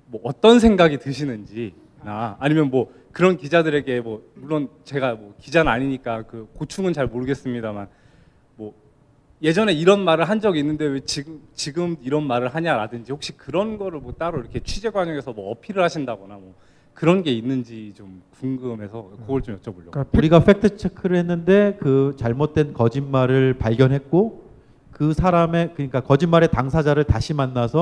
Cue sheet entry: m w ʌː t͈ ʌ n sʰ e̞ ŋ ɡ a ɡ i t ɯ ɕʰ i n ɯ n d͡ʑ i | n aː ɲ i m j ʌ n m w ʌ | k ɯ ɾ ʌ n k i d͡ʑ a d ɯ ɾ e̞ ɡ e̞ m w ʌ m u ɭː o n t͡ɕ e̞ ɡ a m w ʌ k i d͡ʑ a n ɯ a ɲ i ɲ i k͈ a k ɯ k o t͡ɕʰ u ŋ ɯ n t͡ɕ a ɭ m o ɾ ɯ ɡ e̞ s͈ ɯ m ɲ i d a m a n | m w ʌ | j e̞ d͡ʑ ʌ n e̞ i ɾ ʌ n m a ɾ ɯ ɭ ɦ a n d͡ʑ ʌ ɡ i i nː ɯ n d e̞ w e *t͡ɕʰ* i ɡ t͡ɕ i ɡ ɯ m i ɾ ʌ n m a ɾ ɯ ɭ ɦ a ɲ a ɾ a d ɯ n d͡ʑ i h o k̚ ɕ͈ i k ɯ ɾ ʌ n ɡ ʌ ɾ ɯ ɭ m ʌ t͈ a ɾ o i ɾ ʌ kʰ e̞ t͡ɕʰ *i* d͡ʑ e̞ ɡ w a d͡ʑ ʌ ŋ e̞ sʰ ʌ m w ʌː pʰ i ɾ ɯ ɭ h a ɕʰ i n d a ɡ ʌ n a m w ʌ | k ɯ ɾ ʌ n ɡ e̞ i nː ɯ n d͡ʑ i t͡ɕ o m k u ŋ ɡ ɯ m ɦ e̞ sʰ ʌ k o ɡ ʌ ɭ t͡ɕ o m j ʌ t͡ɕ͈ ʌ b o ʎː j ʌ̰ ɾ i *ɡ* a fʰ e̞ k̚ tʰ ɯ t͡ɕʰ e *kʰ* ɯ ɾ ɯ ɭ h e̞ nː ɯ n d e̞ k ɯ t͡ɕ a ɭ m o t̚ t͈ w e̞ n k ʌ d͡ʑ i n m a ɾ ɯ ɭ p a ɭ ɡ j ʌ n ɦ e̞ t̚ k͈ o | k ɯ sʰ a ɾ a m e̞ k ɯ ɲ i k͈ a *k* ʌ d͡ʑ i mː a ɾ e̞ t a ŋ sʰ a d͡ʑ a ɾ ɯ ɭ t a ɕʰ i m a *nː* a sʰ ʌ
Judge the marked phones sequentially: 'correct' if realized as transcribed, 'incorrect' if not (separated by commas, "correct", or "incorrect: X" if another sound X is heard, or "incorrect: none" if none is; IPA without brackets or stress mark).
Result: incorrect: t͡ɕ, correct, correct, correct, correct, correct